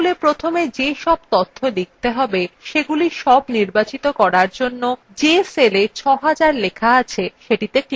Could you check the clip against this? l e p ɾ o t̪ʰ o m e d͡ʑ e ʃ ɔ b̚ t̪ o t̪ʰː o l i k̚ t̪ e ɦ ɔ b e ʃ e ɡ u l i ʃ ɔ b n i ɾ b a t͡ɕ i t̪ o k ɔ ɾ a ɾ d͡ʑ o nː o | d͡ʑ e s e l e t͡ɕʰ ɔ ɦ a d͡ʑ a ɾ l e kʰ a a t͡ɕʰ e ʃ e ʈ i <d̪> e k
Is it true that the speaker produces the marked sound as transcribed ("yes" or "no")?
no